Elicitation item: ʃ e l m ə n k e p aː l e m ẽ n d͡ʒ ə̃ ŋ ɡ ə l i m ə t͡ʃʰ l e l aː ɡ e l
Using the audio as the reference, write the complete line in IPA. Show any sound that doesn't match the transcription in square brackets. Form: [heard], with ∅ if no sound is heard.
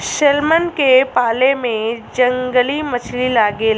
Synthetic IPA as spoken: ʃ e l m ə n k e p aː l e m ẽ [∅] d͡ʒ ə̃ ŋ ɡ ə l i m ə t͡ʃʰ l [i] l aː ɡ e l